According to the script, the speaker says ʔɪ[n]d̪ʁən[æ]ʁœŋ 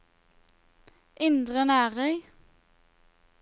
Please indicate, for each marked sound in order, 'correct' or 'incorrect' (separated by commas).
correct, incorrect